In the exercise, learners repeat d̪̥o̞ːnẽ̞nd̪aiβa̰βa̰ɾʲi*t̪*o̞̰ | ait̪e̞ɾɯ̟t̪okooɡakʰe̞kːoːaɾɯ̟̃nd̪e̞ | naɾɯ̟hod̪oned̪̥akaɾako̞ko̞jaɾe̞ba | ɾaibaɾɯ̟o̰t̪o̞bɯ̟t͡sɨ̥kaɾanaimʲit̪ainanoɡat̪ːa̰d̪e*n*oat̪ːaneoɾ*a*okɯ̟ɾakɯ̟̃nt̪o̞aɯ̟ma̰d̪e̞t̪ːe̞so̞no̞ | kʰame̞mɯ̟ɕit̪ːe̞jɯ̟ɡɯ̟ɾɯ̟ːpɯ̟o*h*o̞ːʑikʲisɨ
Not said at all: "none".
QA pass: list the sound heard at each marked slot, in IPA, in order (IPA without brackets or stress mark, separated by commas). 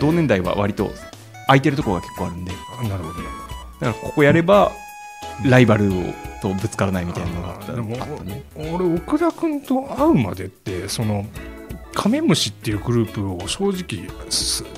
t̪, m, e, ɕ